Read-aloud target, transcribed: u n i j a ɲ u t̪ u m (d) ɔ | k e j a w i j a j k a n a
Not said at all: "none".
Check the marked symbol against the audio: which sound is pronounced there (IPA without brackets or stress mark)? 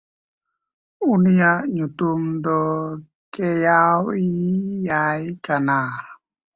d